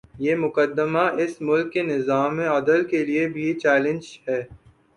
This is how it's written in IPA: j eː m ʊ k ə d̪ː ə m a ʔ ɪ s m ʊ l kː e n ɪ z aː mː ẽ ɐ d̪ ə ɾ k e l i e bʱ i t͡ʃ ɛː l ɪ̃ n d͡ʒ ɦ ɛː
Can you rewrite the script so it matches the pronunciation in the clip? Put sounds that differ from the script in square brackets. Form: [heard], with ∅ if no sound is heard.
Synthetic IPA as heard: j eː m ʊ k ə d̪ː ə m a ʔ ɪ s m ʊ l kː e n ɪ z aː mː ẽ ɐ d̪ ə [l] k e l i e bʱ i t͡ʃ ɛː l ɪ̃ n d͡ʒ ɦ ɛː

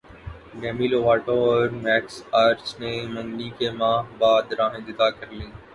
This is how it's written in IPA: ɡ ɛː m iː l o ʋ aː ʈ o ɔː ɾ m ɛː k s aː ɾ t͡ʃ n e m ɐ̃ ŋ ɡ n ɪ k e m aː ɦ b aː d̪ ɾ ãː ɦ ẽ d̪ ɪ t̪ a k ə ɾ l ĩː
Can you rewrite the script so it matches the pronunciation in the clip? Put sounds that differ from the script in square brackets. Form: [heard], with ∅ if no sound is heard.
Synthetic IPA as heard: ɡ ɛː m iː l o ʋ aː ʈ o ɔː ɾ m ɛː k s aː ɾ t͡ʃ n e m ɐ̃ ŋ ɡ n [i] k e m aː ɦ b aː d̪ ɾ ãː ɦ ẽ d̪ ɪ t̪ a k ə ɾ l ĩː

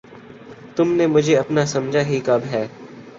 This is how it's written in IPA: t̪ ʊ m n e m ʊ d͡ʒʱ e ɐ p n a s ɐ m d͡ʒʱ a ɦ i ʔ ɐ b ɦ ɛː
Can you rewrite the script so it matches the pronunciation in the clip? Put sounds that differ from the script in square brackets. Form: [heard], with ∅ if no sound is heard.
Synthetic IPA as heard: t̪ ʊ m n e m ʊ d͡ʒʱ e ɐ p n a s ɐ m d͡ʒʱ a ɦ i [k] ɐ b ɦ ɛː

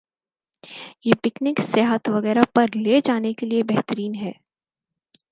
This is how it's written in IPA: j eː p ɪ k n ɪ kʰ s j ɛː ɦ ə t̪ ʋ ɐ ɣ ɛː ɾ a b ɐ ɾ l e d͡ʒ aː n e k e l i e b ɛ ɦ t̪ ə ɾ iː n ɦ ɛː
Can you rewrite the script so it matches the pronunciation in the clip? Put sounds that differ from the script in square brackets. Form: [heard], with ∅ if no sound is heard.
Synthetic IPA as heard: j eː p ɪ k n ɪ [k] s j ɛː ɦ ə t̪ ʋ ɐ ɣ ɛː ɾ a [p] ɐ ɾ l e d͡ʒ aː n e k e l i e b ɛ ɦ t̪ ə ɾ iː n ɦ ɛː

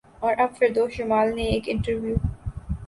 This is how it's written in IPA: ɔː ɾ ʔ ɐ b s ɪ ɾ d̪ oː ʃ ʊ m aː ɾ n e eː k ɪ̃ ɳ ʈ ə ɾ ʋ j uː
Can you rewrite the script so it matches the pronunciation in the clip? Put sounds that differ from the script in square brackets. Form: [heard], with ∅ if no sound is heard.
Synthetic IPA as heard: ɔː ɾ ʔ ɐ b [f] ɪ ɾ d̪ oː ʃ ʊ m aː [l] n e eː k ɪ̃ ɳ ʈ ə ɾ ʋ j uː

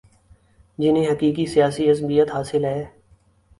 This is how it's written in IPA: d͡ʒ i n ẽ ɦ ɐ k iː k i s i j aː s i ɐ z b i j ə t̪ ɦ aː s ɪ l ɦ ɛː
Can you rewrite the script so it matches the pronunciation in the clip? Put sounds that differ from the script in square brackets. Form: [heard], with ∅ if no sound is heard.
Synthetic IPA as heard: d͡ʒ [ɪ] n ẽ ɦ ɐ k iː k i s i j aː s i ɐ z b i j ə t̪ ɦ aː s ɪ l ɦ ɛː

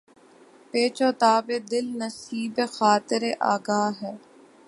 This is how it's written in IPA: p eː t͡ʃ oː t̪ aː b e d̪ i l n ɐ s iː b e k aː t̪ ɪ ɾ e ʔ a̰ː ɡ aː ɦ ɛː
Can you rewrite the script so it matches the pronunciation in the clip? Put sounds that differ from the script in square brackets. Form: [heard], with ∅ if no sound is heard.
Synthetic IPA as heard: p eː t͡ʃ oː t̪ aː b e d̪ [ɪ] l n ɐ s iː b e [x] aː t̪ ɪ ɾ e ʔ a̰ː ɡ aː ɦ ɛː

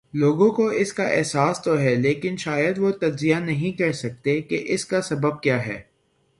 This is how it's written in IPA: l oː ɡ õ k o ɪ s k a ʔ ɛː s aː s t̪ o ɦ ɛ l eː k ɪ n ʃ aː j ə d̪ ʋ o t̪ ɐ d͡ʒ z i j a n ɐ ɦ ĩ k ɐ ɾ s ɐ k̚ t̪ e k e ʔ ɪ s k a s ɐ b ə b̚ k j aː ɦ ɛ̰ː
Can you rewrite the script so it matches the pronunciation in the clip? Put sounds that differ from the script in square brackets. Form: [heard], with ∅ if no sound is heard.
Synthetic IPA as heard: l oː ɡ õ k o ɪ s k a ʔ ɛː s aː s t̪ o ɦ ɛ l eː k ɪ n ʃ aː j ə d̪ ʋ o t̪ ɐ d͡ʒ z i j a n ɐ ɦ ĩ k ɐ ɾ s ɐ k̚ t̪ e k e ʔ ɪ s k a s ɐ b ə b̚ k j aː ɦ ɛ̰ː

